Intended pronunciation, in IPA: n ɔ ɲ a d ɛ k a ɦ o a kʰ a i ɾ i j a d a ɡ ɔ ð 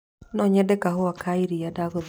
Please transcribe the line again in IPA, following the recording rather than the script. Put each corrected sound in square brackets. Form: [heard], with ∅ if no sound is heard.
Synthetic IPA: n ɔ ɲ [ɛ] d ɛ k a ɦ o a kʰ a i ɾ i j a d a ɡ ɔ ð